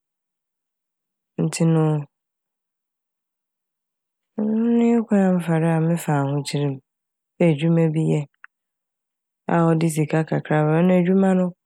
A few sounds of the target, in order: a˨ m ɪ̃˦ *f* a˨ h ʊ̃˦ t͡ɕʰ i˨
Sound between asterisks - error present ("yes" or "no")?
no